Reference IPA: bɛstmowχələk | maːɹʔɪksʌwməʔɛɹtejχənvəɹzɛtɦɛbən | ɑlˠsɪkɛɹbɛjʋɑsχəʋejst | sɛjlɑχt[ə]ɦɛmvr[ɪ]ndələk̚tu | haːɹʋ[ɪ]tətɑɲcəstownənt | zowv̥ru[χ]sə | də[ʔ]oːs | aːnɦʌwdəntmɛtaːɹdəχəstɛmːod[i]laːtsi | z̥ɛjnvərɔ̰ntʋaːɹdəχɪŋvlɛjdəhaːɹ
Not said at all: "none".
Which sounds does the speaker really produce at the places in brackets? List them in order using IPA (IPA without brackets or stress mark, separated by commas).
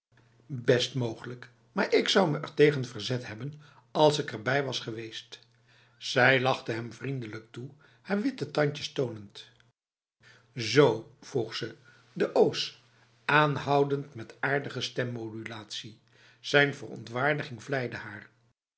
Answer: ə, i, ɪ, χ, ʔ, y